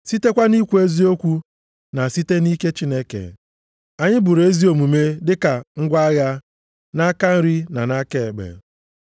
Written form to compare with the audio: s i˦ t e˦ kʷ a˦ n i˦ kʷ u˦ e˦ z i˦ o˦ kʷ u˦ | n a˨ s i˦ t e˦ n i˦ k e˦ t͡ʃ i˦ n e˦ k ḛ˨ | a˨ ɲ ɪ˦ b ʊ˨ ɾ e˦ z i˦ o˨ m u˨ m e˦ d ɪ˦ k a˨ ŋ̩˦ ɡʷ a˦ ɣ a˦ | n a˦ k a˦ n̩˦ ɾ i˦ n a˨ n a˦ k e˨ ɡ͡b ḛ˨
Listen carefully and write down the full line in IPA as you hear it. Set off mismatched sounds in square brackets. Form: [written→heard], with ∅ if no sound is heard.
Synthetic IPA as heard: s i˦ t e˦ kʷ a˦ n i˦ kʷ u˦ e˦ z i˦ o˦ kʷ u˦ | n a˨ s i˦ t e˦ n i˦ k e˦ t͡ʃ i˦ n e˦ k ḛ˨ | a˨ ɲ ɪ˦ b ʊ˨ ɾ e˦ z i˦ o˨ m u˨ m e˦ d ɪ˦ k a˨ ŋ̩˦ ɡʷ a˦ ɣ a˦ | n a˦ k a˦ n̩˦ ɾ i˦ n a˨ n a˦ k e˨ ɡ͡b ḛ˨